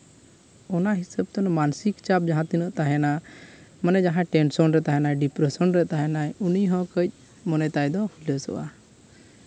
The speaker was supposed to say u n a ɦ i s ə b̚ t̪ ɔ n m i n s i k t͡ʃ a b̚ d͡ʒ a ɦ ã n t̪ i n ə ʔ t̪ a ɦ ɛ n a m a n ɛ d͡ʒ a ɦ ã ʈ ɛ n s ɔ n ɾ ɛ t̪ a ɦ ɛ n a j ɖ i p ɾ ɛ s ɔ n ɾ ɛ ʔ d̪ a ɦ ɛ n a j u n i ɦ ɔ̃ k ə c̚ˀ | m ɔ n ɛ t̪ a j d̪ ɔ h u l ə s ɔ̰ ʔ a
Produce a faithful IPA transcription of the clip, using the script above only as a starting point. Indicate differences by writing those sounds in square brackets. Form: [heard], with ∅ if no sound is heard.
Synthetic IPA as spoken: [ɔ] n a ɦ i s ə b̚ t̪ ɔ n m [a] n s i k t͡ʃ a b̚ d͡ʒ a ɦ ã [∅] t̪ i n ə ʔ t̪ a ɦ ɛ n a m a n ɛ d͡ʒ a ɦ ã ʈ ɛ n s ɔ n ɾ ɛ t̪ a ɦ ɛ n a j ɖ i p ɾ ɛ s ɔ n ɾ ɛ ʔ [t̪] a ɦ ɛ n a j u n i ɦ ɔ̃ k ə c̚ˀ | m ɔ n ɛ t̪ a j d̪ ɔ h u l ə s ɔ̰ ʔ a

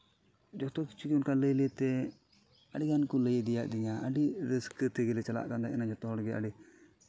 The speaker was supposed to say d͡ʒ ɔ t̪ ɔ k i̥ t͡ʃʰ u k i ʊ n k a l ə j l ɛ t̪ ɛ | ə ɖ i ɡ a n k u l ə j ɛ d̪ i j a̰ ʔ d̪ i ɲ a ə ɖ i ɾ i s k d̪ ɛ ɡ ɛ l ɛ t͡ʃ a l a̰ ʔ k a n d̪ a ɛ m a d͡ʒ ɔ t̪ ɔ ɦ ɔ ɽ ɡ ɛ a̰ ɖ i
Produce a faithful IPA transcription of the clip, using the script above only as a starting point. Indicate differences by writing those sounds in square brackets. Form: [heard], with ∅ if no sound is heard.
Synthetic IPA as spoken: d͡ʒ ɔ t̪ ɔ k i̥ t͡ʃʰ u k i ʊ n k a l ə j l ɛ t̪ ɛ | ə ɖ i ɡ a n k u l ə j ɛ d̪ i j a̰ ʔ d̪ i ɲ a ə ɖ i ɾ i s k [t̪] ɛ ɡ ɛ l ɛ t͡ʃ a l a̰ ʔ k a n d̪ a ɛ [n] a d͡ʒ ɔ t̪ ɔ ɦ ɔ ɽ ɡ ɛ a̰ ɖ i

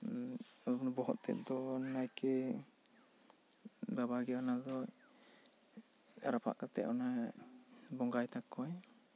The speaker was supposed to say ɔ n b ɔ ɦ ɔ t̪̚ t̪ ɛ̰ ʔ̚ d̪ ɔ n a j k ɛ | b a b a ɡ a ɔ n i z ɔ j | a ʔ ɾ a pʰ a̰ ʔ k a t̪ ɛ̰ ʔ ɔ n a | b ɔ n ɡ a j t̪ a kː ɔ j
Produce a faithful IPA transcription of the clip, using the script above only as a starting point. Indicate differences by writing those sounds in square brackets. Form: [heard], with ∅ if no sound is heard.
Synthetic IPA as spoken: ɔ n b ɔ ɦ ɔ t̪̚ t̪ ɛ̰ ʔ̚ d̪ ɔ n a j k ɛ | b a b a ɡ [ɛ] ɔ n [a] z ɔ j | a [∅] ɾ a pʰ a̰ ʔ k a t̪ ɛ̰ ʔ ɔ n a | b ɔ [ŋ] ɡ a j t̪ a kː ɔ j

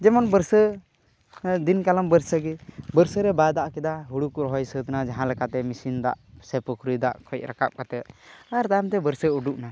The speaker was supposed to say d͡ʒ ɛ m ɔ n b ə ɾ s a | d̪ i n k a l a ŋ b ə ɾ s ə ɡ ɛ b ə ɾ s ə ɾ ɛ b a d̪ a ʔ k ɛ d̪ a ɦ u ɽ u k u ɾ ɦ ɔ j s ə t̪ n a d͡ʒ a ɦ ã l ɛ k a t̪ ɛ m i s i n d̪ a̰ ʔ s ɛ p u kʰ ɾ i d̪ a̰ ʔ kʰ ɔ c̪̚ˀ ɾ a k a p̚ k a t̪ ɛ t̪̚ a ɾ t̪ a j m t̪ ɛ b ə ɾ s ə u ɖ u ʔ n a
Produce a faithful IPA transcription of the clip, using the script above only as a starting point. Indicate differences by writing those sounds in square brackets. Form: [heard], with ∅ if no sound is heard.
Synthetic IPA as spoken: d͡ʒ ɛ m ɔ n b ə ɾ s [ə] | d̪ i n k a l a [m] b ə ɾ s ə ɡ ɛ b ə ɾ s ə ɾ ɛ b a d̪ a ʔ k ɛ d̪ a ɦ u ɽ u k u ɾ ɦ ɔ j s ə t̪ n a d͡ʒ a ɦ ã l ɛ k a t̪ ɛ m i s i n d̪ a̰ ʔ s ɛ p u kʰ ɾ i d̪ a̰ ʔ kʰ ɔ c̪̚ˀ ɾ a k a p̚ k a t̪ ɛ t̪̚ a ɾ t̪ a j m t̪ ɛ b ə ɾ s ə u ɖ u ʔ n a

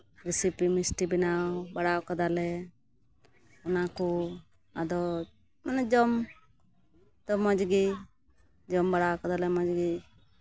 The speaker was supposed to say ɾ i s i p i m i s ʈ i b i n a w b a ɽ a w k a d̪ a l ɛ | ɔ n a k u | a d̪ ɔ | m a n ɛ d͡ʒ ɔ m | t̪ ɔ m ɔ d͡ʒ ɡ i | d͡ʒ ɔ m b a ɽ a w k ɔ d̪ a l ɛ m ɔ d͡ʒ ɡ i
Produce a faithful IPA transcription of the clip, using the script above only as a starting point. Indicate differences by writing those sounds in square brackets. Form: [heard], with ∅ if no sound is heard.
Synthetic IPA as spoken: ɾ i s i p i m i s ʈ i b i n a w b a ɽ a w k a d̪ a l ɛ | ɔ n a k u | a d̪ ɔ | m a n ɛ d͡ʒ ɔ m | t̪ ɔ m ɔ d͡ʒ ɡ i | d͡ʒ ɔ m b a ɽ a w k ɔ d̪ a l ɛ m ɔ d͡ʒ ɡ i

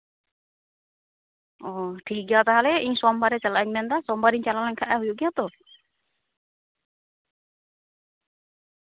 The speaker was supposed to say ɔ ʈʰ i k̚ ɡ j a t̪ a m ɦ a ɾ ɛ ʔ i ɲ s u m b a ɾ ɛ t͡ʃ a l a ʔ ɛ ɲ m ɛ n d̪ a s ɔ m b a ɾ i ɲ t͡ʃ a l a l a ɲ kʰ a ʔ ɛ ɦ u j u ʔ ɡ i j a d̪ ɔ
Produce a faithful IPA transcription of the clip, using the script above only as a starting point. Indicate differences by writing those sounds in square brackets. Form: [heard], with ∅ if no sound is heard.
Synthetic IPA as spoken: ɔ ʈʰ i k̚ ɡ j a t̪ a [∅] ɦ a [l] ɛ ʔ i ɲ s [ɔ] m b a ɾ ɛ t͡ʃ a l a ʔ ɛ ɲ m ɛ n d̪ a s ɔ m b a ɾ i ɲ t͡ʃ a l a l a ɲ kʰ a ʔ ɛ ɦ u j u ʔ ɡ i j a [t̪] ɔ

